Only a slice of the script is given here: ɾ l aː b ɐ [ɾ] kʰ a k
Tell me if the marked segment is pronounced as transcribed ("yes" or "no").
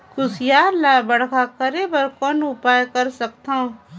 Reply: no